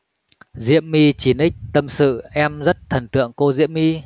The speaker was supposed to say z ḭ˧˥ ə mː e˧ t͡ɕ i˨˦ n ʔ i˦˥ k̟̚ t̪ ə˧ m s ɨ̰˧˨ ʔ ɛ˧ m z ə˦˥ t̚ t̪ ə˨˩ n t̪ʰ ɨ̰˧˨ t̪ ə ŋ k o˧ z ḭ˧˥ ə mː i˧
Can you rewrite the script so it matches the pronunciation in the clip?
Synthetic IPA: z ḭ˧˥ ə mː i˧ t͡ɕ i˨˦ n ʔ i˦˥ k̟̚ t̪ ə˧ m s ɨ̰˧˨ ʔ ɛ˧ m z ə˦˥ t̚ t̪ʰ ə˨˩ n t̪ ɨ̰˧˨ ə ŋ k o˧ z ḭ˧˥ ə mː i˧

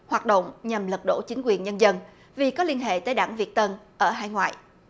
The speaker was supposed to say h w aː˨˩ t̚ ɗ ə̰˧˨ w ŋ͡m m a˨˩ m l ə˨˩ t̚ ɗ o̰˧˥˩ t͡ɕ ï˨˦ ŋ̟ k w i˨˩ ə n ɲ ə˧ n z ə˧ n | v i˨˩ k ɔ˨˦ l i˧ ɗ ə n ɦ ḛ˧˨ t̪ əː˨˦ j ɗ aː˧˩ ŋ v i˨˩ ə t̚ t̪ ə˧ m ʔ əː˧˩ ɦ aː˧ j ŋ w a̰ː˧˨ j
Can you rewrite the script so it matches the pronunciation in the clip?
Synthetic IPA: h w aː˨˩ t̚ ɗ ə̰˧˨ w ŋ͡m ɲ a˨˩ m l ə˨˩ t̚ ɗ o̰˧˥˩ t͡ɕ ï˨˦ ŋ̟ k w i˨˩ ə n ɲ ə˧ n z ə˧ n | v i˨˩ k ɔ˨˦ l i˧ ə n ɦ ḛ˧˨ t̪ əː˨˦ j ɗ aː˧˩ ŋ v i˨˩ ə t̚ t̪ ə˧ n ʔ əː˧˩ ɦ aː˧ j ŋ w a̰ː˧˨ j

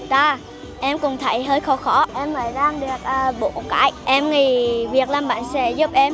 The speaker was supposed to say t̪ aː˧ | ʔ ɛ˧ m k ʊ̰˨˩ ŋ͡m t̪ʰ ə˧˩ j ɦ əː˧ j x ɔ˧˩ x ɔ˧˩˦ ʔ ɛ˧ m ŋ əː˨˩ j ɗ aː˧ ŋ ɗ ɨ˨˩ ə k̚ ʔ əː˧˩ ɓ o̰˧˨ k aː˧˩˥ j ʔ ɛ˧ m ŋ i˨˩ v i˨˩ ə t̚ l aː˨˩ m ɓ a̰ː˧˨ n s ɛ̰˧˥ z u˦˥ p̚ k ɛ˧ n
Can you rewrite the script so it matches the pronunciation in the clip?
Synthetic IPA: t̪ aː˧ | ʔ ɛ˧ m k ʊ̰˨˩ ŋ͡m t̪ʰ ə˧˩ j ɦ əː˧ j x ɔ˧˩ x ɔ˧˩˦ ʔ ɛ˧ m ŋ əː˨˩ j ɗ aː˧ ŋ ɗ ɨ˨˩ ə k̚ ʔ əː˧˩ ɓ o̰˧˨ k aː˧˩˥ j ʔ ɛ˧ m ŋ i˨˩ v i˨˩ ə k̚ l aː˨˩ m ɓ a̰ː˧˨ n s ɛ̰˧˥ z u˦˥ p̚ ʔ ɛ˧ m

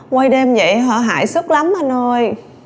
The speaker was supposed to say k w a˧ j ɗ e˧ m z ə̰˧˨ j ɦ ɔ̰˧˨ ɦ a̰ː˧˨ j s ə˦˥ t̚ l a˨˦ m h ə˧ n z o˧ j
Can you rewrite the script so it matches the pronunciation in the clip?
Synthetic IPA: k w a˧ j ɗ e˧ m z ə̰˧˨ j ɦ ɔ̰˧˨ ɦ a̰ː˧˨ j s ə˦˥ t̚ l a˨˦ m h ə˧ n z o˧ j

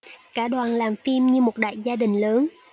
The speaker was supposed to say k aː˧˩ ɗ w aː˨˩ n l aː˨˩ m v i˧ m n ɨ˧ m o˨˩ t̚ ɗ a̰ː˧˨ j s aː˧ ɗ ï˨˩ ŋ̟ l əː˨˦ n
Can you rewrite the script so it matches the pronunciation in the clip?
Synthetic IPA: k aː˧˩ ɗ w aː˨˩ n l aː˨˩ m f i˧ m ɲ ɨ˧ m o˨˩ t̚ ɗ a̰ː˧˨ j z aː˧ ɗ ï˨˩ ŋ̟ l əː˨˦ n

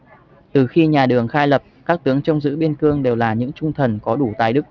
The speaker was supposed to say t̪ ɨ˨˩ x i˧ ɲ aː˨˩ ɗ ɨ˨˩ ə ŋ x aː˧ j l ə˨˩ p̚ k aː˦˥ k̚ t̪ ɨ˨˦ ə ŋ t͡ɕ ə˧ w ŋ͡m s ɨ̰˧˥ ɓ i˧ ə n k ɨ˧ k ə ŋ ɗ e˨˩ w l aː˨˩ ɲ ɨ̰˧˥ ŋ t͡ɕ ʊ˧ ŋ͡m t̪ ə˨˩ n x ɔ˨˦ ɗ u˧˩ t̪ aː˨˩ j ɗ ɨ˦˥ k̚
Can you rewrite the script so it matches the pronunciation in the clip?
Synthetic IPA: t̪ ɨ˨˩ x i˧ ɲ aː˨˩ ɗ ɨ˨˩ ə ŋ x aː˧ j l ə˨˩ p̚ k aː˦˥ k̚ t̪ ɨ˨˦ ə ŋ t͡ɕ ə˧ w ŋ͡m z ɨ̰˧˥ ɓ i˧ ə n k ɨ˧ ə ŋ ɗ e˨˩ w l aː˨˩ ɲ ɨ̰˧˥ ŋ t͡ɕ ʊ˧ ŋ͡m t̪ʰ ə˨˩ n k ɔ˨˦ ɗ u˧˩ t̪ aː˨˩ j ɗ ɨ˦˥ k̚

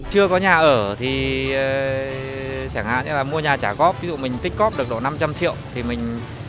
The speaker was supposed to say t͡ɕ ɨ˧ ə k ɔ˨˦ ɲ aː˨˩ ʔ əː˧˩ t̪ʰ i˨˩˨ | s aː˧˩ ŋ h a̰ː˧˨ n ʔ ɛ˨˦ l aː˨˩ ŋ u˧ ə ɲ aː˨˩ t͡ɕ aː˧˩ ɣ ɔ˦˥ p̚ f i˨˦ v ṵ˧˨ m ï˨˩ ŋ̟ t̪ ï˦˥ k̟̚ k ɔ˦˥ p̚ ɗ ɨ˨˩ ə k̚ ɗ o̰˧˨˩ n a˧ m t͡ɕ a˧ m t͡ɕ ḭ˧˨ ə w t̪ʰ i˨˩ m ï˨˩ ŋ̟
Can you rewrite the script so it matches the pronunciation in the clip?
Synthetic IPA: t͡ɕ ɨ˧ ə k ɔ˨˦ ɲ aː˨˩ ʔ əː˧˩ t̪ʰ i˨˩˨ | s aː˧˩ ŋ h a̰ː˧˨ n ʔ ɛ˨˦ l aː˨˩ m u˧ ə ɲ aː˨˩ t͡ɕ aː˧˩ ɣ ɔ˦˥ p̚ v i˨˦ z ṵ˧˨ m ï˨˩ ŋ̟ t̪ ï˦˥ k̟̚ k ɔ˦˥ p̚ ɗ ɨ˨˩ ə k̚ ɗ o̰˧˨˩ n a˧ m t͡ɕ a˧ m t͡ɕ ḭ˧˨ ə w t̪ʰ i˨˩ m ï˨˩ ŋ̟

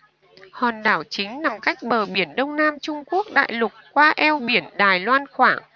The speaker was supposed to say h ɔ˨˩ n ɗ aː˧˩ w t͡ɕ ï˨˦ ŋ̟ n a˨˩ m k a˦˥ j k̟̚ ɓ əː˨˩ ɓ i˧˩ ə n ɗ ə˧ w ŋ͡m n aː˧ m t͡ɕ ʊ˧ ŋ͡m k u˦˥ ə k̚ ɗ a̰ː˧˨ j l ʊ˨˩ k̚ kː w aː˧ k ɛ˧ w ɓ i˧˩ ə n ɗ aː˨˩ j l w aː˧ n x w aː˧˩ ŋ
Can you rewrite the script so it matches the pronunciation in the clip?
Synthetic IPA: h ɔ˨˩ n ɗ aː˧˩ w t͡ɕ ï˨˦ ŋ̟ n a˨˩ m k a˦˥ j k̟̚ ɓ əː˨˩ ɓ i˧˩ ə n ɗ ə˧ w ŋ͡m n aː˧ m t͡ɕ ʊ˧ ŋ͡m k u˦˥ ə k̚ ɗ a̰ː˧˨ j l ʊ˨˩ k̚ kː w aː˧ ʔ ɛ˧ w ɓ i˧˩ ə n ɗ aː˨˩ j l w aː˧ n x w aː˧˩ ŋ

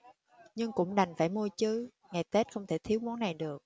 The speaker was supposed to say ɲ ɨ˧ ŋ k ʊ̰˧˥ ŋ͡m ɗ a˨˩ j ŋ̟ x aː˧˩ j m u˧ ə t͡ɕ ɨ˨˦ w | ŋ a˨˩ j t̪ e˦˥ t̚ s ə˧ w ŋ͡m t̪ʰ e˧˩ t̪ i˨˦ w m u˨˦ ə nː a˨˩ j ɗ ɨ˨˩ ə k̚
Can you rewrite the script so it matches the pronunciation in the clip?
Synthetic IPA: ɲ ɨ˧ ŋ k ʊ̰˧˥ ŋ͡m ɗ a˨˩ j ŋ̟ f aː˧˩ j m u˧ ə t͡ɕ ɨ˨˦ | ŋ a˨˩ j t̪ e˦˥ t̚ x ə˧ w ŋ͡m t̪ʰ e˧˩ t̪ʰ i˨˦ w m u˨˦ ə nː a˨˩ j ɗ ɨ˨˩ ə k̚

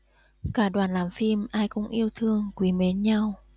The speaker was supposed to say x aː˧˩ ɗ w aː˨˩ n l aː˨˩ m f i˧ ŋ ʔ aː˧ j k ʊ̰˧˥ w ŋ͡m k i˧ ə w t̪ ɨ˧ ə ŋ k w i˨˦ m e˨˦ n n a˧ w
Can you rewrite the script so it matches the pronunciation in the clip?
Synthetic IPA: k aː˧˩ ɗ w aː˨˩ n l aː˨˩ m f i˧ m ʔ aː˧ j k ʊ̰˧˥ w ŋ͡m ʔ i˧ ə w t̪ʰ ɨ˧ ə ŋ k w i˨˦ m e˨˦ n ɲ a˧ w

